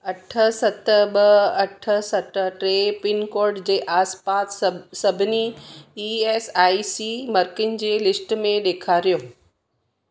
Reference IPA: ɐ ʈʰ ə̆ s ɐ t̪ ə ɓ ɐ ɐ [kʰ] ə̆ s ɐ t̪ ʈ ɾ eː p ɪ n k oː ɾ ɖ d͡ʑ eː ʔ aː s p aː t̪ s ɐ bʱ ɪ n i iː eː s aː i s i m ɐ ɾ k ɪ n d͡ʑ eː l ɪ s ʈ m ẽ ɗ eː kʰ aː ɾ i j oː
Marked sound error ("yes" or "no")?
yes